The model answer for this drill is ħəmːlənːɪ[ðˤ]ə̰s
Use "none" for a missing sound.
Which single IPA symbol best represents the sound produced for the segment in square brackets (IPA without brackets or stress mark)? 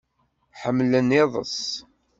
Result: ðˤ